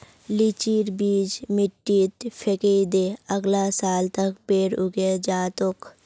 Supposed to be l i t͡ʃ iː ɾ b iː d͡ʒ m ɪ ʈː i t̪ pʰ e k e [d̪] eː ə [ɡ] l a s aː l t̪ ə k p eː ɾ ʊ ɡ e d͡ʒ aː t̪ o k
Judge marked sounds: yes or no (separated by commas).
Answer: yes, yes